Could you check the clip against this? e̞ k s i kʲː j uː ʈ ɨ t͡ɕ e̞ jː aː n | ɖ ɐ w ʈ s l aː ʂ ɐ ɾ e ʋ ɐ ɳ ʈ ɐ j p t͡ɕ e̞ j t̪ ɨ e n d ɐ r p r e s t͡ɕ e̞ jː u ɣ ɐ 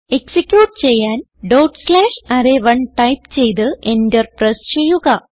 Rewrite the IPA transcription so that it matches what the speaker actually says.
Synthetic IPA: e̞ k s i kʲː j uː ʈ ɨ t͡ɕ e̞ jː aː n | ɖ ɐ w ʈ s l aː ʂ ɐ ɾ e ʋ ɐ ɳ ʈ ɐ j p t͡ɕ e̞ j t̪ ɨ e n d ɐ r p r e s t͡ɕ e̞ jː u ɣ ɐ